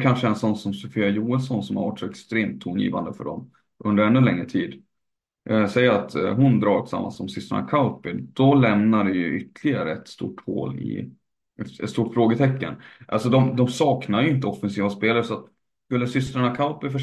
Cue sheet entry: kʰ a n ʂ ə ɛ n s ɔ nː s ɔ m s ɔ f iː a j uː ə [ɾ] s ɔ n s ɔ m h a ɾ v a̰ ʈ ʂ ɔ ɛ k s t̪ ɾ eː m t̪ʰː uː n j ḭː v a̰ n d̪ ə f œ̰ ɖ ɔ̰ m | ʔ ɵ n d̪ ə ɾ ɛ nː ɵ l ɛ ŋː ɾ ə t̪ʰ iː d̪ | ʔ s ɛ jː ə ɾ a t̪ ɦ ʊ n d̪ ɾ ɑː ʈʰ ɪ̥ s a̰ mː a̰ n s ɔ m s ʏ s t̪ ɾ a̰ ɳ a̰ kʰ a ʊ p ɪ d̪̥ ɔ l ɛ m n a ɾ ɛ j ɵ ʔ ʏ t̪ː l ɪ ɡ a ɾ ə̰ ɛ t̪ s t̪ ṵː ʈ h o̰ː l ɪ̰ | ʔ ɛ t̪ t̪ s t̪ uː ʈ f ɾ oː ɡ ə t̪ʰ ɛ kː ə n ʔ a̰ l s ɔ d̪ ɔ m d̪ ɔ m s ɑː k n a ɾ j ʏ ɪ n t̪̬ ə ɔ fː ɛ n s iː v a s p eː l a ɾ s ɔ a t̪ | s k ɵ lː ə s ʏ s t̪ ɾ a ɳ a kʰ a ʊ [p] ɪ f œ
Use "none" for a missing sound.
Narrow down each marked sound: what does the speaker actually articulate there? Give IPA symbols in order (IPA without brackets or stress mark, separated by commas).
l, p